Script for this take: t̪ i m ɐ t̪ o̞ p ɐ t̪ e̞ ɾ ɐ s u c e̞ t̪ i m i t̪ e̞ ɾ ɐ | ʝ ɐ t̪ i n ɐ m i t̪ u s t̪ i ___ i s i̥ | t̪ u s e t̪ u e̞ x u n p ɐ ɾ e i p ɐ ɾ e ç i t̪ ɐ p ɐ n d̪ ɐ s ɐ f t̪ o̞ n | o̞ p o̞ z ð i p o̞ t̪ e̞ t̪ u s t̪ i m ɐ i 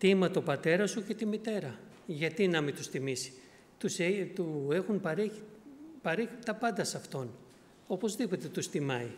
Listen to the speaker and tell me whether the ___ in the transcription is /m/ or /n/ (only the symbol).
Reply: m